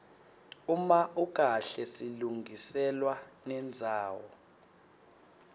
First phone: u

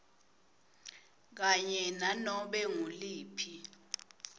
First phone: k̬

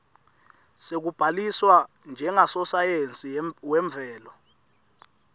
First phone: s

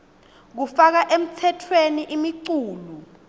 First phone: k̬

